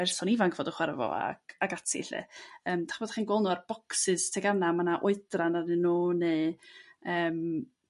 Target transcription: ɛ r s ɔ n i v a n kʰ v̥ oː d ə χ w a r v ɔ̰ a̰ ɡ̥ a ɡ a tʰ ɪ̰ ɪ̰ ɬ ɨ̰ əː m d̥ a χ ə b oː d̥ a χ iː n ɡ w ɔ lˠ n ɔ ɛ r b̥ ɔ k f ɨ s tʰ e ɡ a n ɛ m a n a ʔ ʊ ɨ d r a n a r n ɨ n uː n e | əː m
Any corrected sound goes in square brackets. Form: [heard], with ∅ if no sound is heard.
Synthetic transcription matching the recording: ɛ r s ɔ n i v a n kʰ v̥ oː d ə χ w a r v ɔ̰ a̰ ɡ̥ a ɡ a tʰ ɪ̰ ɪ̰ ɬ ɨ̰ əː m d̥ a χ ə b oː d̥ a χ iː n ɡ w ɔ lˠ n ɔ [a] r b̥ ɔ k [s] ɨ s tʰ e ɡ a n [a] m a n a ʔ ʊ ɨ d r a n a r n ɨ n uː n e | əː m